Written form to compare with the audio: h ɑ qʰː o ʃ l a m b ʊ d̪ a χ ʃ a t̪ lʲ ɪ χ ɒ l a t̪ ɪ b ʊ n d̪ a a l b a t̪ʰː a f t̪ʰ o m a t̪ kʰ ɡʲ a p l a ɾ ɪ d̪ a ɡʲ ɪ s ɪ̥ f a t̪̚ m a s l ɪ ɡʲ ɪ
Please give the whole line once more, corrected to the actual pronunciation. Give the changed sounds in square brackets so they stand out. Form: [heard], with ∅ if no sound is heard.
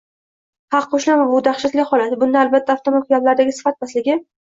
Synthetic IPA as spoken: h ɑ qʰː o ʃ l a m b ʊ d̪ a χ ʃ a t̪ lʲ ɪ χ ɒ l a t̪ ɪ b ʊ n d̪ a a l b a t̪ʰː a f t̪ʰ o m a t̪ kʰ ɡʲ a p l a ɾ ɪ d̪ a ɡʲ ɪ s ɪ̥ f a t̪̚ m a s l ɪ ɡʲ ɪ

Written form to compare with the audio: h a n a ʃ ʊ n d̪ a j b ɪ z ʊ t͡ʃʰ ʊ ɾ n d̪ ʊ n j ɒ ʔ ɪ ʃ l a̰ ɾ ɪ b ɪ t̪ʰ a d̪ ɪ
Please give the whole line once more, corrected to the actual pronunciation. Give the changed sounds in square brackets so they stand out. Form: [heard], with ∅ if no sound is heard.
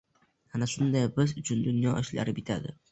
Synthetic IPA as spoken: h a n a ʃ ʊ n d̪ a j b ɪ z ʊ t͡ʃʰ ʊ [∅] n d̪ ʊ n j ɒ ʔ ɪ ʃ l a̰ ɾ ɪ b ɪ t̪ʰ a d̪ ɪ

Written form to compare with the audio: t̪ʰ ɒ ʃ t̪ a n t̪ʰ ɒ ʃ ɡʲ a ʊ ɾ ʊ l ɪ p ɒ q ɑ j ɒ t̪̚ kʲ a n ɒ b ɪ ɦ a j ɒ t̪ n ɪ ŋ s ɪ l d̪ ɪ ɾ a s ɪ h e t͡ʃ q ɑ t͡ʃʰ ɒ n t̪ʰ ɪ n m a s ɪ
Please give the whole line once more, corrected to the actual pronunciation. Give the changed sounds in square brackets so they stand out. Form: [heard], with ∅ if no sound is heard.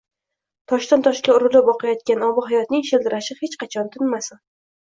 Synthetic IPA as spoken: t̪ʰ ɒ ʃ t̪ a n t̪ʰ ɒ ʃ [kʲ] a ʊ ɾ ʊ l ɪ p ɒ q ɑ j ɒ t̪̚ kʲ a n ɒ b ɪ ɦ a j ɒ t̪ n ɪ ŋ [ʃ] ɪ l d̪ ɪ ɾ a [ʃ] ɪ h e t͡ʃ q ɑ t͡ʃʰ ɒ n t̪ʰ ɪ n m a s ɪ

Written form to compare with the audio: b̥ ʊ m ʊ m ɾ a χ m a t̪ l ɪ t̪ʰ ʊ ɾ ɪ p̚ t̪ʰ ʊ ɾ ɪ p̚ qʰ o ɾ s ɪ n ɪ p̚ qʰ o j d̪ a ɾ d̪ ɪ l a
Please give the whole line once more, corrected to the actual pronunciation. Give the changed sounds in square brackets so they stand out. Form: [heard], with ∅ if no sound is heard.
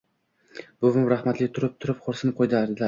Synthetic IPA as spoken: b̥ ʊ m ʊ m ɾ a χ m a t̪ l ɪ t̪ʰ ʊ ɾ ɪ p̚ t̪ʰ ʊ ɾ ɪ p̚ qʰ o ɾ s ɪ n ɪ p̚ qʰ o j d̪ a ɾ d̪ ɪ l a

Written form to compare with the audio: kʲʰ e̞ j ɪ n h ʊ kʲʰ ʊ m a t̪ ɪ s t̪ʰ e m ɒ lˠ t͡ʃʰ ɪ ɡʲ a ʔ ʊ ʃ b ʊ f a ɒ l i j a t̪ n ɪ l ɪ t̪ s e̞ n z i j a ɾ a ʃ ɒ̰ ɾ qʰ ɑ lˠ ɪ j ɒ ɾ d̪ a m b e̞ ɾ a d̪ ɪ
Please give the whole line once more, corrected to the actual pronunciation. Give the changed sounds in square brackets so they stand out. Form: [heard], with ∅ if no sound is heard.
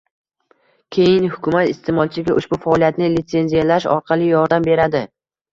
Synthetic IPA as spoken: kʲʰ e̞ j ɪ n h ʊ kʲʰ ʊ m a t̪ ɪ s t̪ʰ e m ɒ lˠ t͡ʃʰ ɪ ɡʲ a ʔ ʊ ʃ b ʊ f a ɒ l i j a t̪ n ɪ l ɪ t̪ s e̞ n z i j a [l] a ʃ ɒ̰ ɾ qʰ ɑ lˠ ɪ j ɒ ɾ d̪ a m b e̞ ɾ a d̪ ɪ

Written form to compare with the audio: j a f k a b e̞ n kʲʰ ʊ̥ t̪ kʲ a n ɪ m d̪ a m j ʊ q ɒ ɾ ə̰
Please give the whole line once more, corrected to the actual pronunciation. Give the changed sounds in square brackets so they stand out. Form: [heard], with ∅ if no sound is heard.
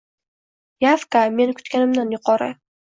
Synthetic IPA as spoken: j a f k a [m] e̞ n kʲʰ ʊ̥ t̪ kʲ a n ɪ m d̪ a [n] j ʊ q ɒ ɾ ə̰

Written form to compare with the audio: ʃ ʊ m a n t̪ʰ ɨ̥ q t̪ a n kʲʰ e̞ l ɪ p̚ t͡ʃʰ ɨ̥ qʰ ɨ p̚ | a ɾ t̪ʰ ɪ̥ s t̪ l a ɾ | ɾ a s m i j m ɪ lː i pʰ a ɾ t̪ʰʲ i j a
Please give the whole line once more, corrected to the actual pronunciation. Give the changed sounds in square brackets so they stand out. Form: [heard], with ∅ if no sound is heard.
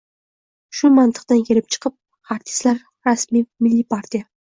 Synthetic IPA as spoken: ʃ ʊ m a n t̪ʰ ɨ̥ q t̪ a n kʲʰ e̞ l ɪ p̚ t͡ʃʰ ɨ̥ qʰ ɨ p̚ | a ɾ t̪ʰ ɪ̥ s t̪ l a ɾ | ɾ a s m i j m ɪ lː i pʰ a ɾ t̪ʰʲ i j a

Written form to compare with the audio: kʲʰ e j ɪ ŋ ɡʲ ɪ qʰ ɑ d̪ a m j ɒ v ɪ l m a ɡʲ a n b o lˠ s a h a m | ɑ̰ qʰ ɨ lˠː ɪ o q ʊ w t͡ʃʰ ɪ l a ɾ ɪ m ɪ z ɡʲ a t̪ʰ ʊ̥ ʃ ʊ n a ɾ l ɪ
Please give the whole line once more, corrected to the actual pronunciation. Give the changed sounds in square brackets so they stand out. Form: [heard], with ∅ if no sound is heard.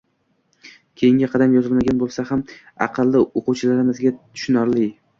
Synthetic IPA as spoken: kʲʰ e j ɪ ŋ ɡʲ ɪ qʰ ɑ d̪ a m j ɒ [z] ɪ l m a ɡʲ a n b o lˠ s a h a m | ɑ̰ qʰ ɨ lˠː ɪ o q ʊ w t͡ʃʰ ɪ l a ɾ ɪ m ɪ z ɡʲ a t̪ʰ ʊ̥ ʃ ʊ n a ɾ l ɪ

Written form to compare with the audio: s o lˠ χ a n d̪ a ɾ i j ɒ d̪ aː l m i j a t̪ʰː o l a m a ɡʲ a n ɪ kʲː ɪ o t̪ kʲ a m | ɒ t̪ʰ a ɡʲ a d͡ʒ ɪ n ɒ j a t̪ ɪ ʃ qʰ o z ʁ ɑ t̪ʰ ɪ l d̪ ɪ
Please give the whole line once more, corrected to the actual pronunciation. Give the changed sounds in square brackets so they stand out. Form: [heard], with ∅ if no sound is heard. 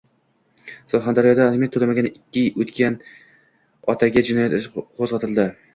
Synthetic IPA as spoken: s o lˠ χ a n d̪ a ɾ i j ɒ d̪ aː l m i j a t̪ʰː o l a m a ɡʲ a n ɪ kʲː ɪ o t̪ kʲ a [n] | ɒ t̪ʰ a ɡʲ a d͡ʒ ɪ n ɒ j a t̪ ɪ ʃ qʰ o z ʁ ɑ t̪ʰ ɪ l d̪ ɪ

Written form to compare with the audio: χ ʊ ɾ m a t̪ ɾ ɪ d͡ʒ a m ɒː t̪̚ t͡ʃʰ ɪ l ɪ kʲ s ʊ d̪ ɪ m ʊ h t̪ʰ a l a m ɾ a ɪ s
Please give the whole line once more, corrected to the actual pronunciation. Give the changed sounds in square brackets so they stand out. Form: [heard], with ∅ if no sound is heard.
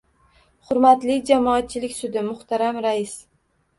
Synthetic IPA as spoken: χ ʊ ɾ m a t̪ [l] ɪ d͡ʒ a m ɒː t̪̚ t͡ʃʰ ɪ l ɪ kʲ s ʊ d̪ ɪ m ʊ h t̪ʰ a [ɾ] a m ɾ a ɪ s

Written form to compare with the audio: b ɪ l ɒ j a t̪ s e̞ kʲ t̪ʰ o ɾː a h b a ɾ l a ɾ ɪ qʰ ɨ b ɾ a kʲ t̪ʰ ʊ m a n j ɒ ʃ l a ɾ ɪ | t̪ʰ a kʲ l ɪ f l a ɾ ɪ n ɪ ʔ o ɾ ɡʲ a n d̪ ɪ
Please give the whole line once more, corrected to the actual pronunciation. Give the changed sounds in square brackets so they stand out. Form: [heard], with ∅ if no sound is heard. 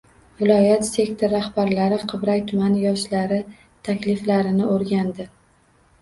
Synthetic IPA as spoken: [v] ɪ l ɒ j a t̪ s e̞ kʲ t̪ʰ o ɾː a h b a ɾ l a ɾ ɪ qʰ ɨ b ɾ a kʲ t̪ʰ ʊ m a n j ɒ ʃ l a ɾ ɪ | t̪ʰ a kʲ l ɪ f l a ɾ ɪ n ɪ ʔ o ɾ ɡʲ a n d̪ ɪ

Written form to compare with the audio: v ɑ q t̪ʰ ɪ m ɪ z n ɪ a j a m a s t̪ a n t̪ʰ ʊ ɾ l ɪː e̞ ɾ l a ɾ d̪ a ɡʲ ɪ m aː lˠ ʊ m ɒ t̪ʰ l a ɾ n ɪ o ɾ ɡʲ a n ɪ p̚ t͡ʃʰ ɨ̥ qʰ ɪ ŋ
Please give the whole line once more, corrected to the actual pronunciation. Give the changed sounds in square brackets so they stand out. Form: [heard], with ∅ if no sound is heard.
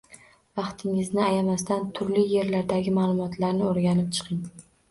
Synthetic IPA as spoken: v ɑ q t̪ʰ ɪ [ŋ] ɪ z n ɪ a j a m a s t̪ a n t̪ʰ ʊ ɾ l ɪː e̞ ɾ l a ɾ d̪ a ɡʲ ɪ m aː lˠ ʊ m ɒ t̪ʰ l a ɾ n ɪ o ɾ ɡʲ a n ɪ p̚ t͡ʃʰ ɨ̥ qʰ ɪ ŋ

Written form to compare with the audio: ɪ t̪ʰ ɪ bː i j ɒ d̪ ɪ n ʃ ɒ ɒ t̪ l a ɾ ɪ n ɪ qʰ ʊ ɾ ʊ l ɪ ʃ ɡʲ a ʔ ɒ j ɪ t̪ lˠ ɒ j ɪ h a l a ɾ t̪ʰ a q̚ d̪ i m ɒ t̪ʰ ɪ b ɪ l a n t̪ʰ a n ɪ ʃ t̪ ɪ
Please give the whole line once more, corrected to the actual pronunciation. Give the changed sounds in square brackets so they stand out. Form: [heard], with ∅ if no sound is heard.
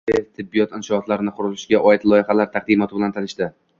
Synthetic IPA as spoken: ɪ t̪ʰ ɪ bː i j ɒ [t̪] ɪ n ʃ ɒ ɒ t̪ l a ɾ ɪ n ɪ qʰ ʊ ɾ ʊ l ɪ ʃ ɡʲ a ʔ ɒ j ɪ t̪ lˠ ɒ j ɪ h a l a ɾ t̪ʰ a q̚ d̪ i m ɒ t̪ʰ ɪ b ɪ l a n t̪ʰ a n ɪ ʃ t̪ ɪ

